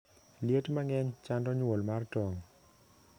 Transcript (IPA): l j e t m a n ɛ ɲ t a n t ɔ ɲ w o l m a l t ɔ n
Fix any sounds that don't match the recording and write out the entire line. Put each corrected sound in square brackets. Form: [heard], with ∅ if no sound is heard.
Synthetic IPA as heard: l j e t m a [ŋ] ɛ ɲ [t͡ʃ] a n [d] ɔ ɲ w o l m a [r] t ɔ [ŋ]